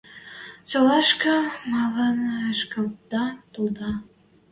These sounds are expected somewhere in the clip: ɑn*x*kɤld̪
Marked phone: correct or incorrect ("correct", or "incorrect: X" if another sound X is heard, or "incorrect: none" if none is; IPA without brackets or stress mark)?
incorrect: ʃ